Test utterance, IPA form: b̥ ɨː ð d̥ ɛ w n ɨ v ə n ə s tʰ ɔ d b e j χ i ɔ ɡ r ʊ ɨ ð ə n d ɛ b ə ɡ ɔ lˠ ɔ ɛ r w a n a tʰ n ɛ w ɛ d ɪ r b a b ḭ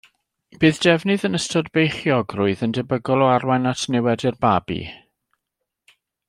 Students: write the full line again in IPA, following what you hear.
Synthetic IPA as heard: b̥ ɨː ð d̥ ɛ v n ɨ ð ə n ə s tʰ ɔ d b e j χ j ɔ ɡ r ʊ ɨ ð ə n d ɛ b ə ɡ ɔ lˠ ɔ a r w a n a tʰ n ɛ w ɛ d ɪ r b a b ḭ

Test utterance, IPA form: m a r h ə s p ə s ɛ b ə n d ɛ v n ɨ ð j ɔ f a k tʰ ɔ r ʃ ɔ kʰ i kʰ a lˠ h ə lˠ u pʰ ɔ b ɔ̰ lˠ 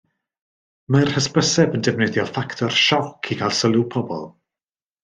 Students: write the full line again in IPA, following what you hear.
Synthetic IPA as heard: m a r h ə s p ə s ɛ b ə n d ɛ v n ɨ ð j ɔ f a k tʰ ɔ r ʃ ɔ kʰ i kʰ a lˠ s ə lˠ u pʰ ɔ b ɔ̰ lˠ

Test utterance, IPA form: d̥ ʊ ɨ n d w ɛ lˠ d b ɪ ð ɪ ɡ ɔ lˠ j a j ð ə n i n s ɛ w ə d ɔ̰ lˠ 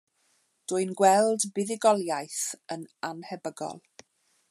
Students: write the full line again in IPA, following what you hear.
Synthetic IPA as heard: d̥ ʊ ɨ n ɡ w ɛ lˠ d b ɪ ð ɪ ɡ ɔ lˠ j a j θ ə n a n h ɛ b ə ɡ ɔ̰ lˠ

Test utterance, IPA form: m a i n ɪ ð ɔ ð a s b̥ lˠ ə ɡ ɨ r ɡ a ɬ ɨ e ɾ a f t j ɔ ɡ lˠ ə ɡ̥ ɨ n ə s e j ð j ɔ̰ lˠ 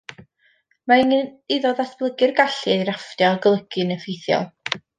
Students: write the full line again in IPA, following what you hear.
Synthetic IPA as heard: m a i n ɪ ð ɔ ð a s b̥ lˠ ə ɡ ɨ r ɡ a ɬ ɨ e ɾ a f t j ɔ ɡ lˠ ə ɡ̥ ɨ n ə f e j θ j ɔ̰ lˠ

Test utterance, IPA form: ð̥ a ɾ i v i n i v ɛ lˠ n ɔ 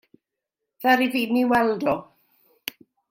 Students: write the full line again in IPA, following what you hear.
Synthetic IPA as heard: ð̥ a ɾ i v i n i w ɛ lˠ d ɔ

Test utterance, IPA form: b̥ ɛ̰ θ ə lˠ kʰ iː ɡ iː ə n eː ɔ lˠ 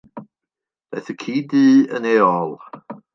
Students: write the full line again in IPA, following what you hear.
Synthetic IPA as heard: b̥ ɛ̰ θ ə kʰ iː d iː ə n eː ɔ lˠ

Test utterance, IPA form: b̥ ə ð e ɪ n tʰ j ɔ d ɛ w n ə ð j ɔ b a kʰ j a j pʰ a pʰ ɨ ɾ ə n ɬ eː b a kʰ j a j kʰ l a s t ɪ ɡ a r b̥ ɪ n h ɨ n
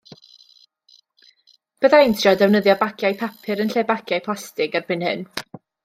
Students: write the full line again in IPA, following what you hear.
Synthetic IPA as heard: b̥ ə ð a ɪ n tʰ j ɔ d ɛ w n ə ð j ɔ b a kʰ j a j pʰ a pʰ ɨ ɾ ə n ɬ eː b a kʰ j a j pʰ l a s t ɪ ɡ a r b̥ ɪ n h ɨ n

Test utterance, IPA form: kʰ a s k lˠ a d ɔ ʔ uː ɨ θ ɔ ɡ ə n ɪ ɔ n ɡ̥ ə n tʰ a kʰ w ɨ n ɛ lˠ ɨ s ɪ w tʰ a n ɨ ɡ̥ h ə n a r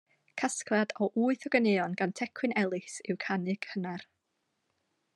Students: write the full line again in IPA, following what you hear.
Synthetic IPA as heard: kʰ a s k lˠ a d ɔ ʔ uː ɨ θ ɔ ɡ ə n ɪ ɔ n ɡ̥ a n tʰ ɛ kʰ w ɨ n ɛ lˠ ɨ s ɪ w kʰ a n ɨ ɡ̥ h ə n a r

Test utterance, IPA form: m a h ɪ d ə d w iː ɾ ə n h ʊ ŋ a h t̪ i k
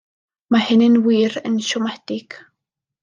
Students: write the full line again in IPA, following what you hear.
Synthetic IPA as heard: m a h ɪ n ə n w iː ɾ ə n ʃ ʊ m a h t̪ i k

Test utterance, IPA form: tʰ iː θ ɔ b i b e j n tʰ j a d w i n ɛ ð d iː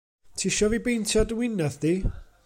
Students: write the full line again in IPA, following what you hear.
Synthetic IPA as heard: tʰ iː ʃ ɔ v i b e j n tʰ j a d w ɪ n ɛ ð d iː

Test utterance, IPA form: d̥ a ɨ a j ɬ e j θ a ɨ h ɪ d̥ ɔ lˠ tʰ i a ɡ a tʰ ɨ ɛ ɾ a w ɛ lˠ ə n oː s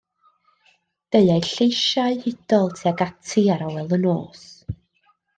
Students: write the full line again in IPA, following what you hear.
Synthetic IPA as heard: d̥ e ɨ a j ɬ e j ʃ a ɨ h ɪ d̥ ɔ lˠ tʰ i a ɡ a tʰ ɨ a ɾ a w ɛ lˠ ə n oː s

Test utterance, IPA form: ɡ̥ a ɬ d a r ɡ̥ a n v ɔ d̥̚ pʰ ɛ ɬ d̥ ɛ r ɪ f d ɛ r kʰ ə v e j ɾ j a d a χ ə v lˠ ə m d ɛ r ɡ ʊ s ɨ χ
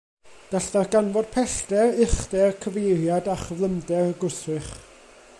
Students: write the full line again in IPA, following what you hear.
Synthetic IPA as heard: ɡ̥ a ɬ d a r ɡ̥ a n v ɔ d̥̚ pʰ ɛ ɬ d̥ ɛ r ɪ χ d ɛ r kʰ ə v e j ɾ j a d a χ ə v lˠ ə m d ɛ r ɡ ʊ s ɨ χ

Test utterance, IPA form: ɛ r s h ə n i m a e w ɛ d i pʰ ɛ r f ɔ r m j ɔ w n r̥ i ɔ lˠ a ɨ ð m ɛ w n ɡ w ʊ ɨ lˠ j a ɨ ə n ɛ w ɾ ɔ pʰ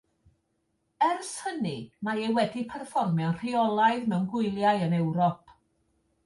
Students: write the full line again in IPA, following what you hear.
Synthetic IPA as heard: ɛ r s h ə n i m a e w ɛ d i pʰ ɛ r f ɔ r m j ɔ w n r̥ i ɔ lˠ a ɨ ð m ɛ w n ɡ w ʊ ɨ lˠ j a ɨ ə n ɛ w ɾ ɔ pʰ

